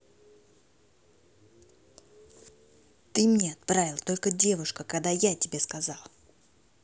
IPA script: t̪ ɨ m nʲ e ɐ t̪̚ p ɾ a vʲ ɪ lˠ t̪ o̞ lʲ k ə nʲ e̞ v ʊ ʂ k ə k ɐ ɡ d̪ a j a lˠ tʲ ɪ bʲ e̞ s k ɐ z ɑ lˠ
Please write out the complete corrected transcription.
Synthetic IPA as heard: t̪ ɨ m nʲ e ɐ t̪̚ p ɾ a vʲ ɪ lˠ t̪ o̞ lʲ k ə dʲ e̞ v ʊ ʂ k ə k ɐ ɡ d̪ a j a tʲ ɪ bʲ e̞ s k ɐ z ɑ lˠ